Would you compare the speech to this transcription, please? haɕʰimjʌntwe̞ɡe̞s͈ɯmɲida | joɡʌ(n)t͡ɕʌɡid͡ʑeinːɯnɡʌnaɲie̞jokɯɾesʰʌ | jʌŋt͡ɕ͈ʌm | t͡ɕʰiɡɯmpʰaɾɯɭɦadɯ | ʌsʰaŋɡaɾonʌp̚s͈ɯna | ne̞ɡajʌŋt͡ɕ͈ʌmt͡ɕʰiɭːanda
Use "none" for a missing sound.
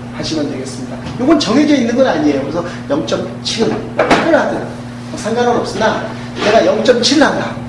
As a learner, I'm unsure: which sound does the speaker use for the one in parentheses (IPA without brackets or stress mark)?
n